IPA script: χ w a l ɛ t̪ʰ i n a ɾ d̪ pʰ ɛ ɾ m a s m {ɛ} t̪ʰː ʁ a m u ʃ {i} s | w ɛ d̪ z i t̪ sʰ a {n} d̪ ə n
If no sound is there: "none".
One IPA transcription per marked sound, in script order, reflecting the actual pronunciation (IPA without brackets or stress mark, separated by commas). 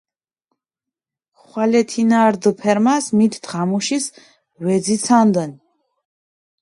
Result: i, i, n